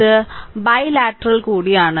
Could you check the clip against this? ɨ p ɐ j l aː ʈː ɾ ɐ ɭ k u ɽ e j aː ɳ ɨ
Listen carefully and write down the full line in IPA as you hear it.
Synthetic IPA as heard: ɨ b ɐ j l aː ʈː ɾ ɐ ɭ k uː ɽ i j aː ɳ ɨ

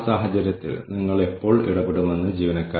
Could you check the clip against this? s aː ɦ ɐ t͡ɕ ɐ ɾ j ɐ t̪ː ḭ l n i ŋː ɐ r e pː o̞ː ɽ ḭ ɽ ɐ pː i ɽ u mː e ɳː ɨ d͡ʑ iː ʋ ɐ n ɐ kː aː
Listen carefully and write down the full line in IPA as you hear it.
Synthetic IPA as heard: s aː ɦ ɐ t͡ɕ ɐ ɾ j ɐ t̪ː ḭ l n i ŋː ɐ ɭ e pː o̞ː ɭ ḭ ɽ ɐ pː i ɽ u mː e nː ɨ d͡ʑ iː ʋ ɐ n ɐ kː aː

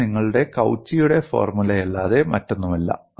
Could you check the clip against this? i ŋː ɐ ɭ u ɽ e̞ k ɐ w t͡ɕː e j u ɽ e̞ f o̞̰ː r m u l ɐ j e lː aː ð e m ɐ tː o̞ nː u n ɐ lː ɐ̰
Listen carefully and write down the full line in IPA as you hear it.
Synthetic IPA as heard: i ŋː ɐ ɭ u ɽ e̞ k ɐ w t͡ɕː i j u ɽ e̞ f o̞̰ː r m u l ɐ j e lː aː ð e m ɐ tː o̞ nː u m ɐ lː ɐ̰

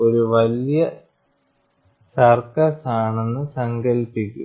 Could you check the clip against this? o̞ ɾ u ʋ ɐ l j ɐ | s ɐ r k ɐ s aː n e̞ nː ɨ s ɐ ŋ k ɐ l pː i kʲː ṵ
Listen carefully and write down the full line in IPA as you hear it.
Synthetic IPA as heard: o̞ ɾ u ʋ ɐ l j ɐ | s ɐ r k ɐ s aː ɳ e̞ nː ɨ s ɐ ŋ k ɐ l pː i kʲː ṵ

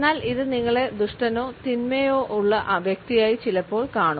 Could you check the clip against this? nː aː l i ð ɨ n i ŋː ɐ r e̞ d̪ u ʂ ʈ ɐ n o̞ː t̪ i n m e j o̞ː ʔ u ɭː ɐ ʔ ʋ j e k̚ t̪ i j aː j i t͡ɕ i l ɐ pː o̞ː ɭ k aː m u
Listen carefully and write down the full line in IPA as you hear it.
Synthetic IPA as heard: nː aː l i ð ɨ n i ŋː ɐ ɭ e̞ d̪ u ʂ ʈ ɐ n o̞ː t̪ i n m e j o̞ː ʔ u ɭː ɐ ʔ ʋ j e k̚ t̪ i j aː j i t͡ɕ i l ɐ pː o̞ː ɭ k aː ɳ u

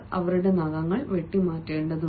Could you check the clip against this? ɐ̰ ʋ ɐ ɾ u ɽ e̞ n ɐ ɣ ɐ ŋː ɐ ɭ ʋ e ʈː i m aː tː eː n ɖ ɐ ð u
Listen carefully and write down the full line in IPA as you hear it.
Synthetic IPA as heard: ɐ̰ ʋ ɐ ɾ u ɽ e̞ n ɐ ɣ ɐ ŋː ɐ ɭ ʋ e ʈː i m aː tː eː ɳ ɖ ɐ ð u

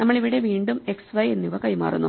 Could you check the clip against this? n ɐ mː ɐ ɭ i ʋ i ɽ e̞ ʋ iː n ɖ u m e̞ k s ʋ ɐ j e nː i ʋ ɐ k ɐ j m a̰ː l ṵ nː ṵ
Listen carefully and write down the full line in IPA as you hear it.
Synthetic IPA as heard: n ɐ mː ɐ ɭ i ʋ i ɽ e̞ ʋ iː ɳ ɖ u m e̞ k s ʋ ɐ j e nː i ʋ ɐ k ɐ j m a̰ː r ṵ nː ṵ

